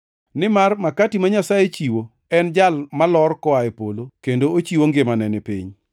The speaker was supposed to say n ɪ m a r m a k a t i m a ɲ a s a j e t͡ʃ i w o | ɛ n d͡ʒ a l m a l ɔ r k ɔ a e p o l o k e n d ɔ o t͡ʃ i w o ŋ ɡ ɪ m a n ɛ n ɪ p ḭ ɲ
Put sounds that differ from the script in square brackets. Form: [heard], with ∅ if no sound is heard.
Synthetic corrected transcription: n ɪ m a r m a k a t i m a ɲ a s a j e t͡ʃ i w o | ɛ n d͡ʒ a l m a l ɔ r k ɔ a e p o l o k e n d [o] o t͡ʃ i w o ŋ ɡ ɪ m a n ɛ n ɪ p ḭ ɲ